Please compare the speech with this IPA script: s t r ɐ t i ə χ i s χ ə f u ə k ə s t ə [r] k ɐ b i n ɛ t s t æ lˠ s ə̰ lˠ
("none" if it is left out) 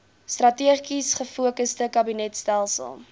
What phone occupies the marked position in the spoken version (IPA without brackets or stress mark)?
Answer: none